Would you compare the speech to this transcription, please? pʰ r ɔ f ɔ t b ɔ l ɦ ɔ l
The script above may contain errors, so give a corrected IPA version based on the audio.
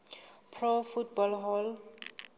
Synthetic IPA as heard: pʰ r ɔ f u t b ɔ l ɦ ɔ l